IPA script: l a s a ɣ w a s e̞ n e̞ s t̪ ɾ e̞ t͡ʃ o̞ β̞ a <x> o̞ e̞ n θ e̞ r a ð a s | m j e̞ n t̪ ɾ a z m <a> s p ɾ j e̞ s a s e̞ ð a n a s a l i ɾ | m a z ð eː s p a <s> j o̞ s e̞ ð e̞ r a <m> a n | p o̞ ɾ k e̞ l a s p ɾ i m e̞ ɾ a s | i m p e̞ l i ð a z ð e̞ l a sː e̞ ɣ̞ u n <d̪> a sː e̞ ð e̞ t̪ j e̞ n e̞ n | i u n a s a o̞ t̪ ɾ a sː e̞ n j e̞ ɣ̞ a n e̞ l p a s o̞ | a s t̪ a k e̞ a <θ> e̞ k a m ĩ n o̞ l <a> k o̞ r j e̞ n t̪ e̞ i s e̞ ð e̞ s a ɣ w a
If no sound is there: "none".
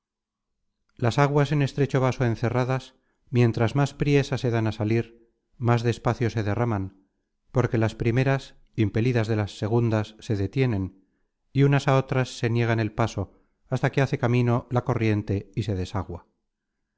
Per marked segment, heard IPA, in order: s, a, θ, m, d̪, θ, a

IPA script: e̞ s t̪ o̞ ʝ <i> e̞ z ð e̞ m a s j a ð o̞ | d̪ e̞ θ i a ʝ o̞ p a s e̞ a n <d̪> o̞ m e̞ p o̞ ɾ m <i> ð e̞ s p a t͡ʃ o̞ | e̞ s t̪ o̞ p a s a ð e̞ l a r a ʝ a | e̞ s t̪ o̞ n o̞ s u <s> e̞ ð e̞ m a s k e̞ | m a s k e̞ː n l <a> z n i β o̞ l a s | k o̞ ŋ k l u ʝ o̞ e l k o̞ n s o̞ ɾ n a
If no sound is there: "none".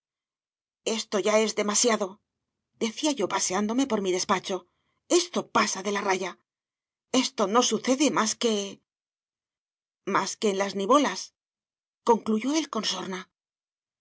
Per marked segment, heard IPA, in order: a, d̪, i, θ, a

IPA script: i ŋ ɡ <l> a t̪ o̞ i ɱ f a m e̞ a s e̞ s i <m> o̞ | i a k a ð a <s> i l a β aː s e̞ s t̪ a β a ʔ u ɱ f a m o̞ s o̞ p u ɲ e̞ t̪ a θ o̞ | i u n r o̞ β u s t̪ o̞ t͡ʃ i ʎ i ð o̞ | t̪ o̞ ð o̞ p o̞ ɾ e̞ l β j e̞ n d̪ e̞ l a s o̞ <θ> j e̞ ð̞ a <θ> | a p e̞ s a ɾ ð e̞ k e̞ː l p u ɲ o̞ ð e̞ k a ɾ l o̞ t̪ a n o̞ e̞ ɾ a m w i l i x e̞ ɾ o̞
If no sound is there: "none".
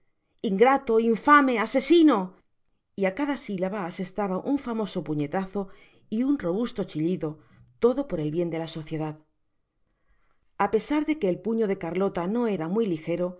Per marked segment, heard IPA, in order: ɾ, n, s, θ, ð

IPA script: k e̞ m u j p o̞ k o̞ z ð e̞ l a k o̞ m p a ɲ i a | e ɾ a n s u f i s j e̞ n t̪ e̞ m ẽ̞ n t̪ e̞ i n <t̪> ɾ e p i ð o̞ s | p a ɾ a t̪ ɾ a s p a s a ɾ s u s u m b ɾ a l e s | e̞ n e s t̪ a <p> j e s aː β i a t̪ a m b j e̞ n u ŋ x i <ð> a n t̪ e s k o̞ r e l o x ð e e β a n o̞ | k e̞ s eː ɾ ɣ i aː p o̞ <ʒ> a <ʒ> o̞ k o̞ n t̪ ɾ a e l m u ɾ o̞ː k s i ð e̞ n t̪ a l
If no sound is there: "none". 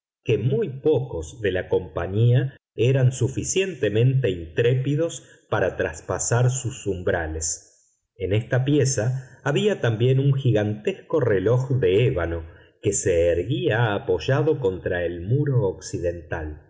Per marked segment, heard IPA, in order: t̪, p, ɣ, ʒ, ð

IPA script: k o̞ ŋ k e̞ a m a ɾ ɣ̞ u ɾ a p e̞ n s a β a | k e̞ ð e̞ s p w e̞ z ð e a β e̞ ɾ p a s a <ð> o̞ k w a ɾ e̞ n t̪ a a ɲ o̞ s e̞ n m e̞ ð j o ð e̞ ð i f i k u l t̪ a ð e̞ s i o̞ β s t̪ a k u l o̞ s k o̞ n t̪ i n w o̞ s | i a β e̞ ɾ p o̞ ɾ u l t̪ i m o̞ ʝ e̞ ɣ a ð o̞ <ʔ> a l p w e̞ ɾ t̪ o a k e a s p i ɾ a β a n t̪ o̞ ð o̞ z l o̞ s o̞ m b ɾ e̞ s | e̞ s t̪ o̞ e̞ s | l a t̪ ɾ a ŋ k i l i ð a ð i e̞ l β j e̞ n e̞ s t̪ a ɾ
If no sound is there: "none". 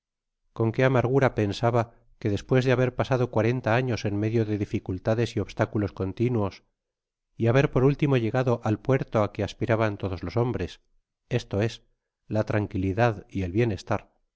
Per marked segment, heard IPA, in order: ð, ʔ

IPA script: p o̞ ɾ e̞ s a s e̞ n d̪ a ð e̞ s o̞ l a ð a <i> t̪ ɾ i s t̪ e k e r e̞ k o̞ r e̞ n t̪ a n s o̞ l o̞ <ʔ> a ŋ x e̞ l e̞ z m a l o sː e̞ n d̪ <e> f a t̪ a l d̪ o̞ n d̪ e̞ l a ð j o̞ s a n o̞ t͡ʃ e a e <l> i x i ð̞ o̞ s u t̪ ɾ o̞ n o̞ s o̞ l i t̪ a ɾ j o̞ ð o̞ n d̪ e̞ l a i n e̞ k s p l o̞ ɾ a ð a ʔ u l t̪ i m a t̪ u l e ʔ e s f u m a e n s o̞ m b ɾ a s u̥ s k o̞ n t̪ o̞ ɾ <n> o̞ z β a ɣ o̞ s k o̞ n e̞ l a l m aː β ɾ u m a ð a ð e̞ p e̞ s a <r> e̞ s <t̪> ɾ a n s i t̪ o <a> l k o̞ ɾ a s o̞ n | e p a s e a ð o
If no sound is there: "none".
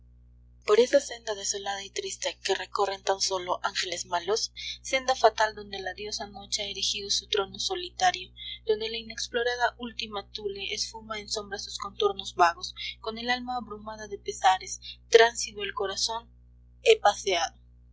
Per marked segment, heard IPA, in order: i, ʔ, a, ɾ, n, ɾ, t̪, e

